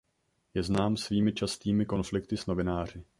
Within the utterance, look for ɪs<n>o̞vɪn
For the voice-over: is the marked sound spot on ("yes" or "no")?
yes